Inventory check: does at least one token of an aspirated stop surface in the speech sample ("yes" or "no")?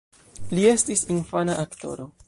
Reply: no